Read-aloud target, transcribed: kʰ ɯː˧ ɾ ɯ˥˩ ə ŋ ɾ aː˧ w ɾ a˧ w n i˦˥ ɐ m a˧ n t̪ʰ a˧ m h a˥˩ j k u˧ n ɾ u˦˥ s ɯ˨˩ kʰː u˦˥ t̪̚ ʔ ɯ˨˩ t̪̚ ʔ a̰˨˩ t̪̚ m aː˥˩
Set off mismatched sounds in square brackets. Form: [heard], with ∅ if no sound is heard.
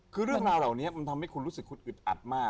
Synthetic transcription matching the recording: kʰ ɯː˧ ɾ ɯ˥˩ ə ŋ ɾ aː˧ w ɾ [a˨˩] w n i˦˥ ɐ m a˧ n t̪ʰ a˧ m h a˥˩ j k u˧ n ɾ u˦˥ s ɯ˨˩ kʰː u˦˥ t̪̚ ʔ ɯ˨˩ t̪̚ ʔ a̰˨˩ t̪̚ m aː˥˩